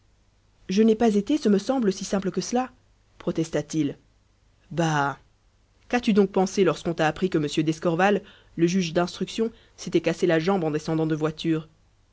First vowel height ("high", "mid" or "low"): mid